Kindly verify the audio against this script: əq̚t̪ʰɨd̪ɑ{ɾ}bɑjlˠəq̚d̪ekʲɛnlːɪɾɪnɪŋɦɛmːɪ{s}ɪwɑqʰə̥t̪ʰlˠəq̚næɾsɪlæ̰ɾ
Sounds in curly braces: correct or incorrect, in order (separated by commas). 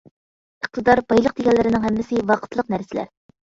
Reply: correct, correct